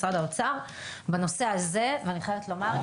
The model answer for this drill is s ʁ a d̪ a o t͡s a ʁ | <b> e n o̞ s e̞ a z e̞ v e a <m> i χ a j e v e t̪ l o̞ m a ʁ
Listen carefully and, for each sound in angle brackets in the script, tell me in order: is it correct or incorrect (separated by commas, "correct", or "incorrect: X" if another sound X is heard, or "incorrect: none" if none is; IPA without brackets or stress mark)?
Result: correct, incorrect: n